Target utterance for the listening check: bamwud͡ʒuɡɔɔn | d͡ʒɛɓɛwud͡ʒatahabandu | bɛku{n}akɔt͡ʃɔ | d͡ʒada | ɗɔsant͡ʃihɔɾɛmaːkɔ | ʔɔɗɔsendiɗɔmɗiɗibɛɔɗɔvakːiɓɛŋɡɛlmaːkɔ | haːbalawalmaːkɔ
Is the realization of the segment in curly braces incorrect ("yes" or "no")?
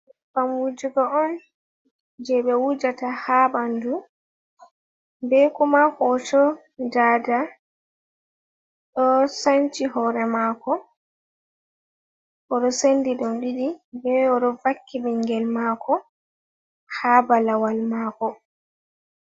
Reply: yes